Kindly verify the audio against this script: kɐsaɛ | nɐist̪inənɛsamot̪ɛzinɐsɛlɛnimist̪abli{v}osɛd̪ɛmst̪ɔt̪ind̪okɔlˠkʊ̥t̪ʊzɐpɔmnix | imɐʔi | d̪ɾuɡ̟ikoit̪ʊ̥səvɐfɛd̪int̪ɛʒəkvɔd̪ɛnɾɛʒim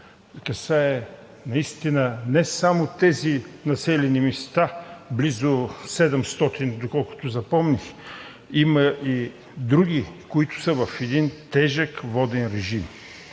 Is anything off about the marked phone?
yes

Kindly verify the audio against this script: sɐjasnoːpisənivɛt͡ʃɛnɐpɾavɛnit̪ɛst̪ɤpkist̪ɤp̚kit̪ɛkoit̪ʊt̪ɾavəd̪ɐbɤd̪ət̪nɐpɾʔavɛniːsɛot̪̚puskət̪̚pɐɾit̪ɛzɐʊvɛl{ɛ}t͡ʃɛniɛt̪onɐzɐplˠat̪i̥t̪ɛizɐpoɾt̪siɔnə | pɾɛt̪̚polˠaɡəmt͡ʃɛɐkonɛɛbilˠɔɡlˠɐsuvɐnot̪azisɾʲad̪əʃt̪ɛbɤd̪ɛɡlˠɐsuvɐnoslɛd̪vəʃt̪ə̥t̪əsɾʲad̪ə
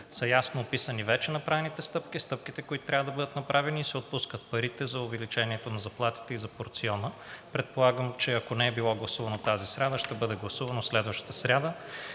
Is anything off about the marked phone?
yes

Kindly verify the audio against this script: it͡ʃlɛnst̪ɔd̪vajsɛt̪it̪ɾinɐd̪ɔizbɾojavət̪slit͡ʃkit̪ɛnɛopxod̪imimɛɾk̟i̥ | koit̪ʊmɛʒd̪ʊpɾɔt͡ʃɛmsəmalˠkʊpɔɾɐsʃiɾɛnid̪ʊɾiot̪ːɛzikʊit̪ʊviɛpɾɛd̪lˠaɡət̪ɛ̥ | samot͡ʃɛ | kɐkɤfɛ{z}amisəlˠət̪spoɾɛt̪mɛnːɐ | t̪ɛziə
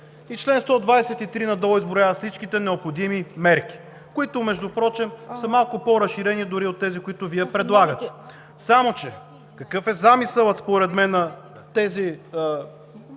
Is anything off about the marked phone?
no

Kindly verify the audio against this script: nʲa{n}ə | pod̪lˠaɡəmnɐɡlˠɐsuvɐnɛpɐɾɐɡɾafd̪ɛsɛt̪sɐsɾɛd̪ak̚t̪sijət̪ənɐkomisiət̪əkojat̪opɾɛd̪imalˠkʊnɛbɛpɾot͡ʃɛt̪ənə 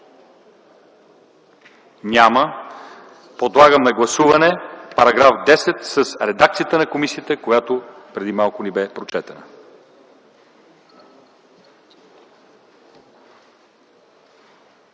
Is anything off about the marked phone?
yes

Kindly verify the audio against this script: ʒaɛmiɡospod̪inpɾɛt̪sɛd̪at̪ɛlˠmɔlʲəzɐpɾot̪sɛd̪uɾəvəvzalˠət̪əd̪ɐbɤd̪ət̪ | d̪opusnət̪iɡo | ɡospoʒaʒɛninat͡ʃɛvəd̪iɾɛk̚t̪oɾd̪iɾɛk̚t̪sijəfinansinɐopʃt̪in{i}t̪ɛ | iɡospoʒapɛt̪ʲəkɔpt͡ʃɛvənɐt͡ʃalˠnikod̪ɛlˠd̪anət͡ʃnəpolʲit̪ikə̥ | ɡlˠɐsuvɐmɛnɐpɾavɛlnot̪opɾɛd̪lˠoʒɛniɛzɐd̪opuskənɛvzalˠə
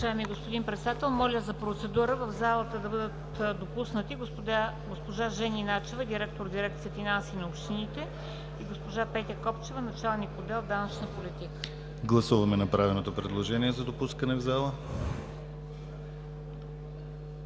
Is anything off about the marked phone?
no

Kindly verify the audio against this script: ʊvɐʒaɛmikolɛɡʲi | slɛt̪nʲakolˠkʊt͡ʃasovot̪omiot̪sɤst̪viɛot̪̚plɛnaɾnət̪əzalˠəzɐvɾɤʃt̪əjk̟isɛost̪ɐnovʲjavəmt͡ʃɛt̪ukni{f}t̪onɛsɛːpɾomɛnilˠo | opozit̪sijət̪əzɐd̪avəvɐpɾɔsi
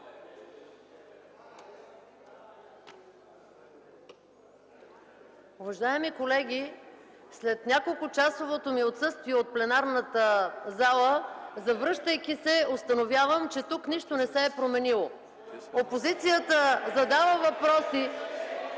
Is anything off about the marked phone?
yes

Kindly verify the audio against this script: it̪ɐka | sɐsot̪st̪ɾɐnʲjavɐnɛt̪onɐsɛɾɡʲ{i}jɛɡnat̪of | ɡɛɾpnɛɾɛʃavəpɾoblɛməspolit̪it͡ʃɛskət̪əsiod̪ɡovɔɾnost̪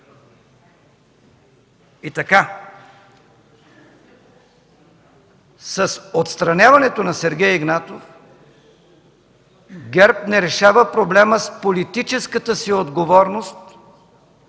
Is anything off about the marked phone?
yes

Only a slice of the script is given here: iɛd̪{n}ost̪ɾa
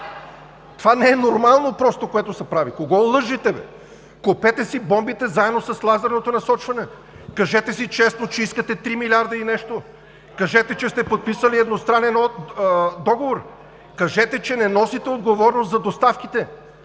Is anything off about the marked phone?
no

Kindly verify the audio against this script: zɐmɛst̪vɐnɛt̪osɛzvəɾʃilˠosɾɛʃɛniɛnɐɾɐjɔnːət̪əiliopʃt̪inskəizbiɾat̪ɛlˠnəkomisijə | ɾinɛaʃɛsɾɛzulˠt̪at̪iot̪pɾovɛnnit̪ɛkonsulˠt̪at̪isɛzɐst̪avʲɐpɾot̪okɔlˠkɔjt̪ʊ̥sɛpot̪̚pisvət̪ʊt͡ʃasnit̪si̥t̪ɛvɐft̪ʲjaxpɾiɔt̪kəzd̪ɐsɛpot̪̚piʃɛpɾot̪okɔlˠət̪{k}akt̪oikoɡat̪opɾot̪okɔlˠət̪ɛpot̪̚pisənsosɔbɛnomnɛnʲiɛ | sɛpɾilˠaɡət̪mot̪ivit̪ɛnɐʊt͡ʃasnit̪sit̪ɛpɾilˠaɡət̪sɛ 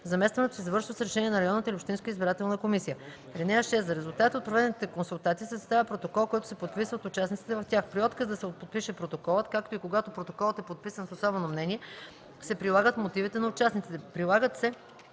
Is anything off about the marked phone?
no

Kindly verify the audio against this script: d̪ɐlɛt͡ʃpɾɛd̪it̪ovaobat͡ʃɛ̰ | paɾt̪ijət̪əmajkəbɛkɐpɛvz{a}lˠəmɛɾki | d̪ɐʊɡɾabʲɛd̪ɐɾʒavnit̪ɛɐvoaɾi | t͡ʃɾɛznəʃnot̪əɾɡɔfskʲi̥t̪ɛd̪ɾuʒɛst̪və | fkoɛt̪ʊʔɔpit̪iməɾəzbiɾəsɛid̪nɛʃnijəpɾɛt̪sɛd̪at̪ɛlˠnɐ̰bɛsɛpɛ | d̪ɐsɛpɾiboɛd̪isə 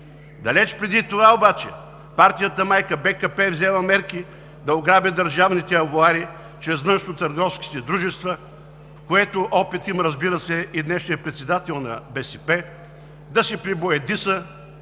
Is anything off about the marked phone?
yes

